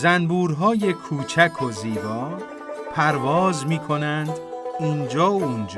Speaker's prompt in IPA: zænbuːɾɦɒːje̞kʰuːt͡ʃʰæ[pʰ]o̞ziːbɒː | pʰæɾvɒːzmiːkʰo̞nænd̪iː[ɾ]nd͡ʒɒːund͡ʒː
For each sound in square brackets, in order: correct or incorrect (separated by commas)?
incorrect, incorrect